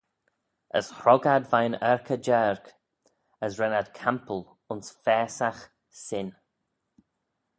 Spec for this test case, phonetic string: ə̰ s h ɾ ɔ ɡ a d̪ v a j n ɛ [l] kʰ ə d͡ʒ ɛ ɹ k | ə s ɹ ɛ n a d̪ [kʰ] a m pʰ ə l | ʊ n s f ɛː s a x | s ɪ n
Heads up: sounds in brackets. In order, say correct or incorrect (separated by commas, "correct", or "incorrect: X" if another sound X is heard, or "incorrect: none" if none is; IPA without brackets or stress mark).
incorrect: ɹ, correct